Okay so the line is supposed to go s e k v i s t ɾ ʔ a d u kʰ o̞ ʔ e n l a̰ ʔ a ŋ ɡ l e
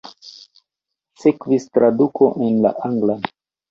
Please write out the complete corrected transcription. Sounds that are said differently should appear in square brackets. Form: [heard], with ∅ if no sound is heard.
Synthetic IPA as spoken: s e k v i s t ɾ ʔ a d u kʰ o̞ ʔ e n l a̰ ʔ a ŋ ɡ l [a]